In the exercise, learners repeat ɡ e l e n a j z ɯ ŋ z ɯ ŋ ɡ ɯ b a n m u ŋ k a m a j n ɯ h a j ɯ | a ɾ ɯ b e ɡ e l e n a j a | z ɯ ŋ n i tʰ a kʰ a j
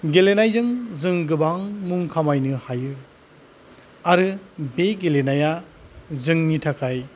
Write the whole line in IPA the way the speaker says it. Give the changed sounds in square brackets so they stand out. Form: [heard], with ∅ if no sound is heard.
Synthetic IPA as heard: ɡ e l e n a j z ɯ ŋ z ɯ ŋ ɡ ɯ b a [ŋ] m u ŋ [kʰ] a m a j n ɯ h a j ɯ | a ɾ ɯ b e ɡ e l e n a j a | z ɯ ŋ n i tʰ a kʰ a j